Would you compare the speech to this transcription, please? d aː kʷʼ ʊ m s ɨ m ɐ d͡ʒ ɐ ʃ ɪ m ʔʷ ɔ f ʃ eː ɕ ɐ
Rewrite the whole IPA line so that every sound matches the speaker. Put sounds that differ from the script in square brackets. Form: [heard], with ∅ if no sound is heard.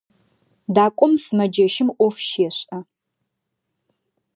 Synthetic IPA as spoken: d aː kʷʼ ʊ m s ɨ m ɐ d͡ʒ ɐ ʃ ɪ m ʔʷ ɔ f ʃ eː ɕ ɐ